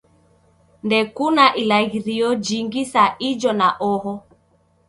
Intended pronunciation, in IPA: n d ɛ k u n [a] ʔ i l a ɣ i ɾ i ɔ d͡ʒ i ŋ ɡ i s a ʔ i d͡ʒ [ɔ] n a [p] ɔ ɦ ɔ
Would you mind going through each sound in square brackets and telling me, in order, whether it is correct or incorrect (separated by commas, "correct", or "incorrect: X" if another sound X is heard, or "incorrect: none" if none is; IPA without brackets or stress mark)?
correct, correct, incorrect: ʔ